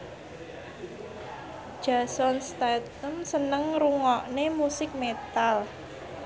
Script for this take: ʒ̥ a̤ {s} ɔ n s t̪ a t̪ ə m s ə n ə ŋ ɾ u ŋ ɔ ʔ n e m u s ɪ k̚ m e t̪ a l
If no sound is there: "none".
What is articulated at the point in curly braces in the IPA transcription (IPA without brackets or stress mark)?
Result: s